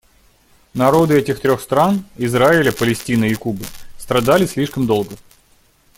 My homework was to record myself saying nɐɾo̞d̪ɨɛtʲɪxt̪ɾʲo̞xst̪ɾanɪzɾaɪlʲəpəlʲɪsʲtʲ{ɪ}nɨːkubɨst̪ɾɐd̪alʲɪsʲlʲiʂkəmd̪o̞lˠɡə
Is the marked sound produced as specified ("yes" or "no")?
no